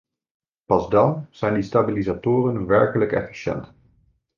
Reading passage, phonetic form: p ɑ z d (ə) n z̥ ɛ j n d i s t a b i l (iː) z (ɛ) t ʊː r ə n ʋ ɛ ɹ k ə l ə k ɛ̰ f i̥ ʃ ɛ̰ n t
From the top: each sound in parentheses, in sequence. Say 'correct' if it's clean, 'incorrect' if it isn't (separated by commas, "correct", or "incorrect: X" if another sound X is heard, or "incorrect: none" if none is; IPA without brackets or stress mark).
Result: incorrect: ɑ, incorrect: i, incorrect: a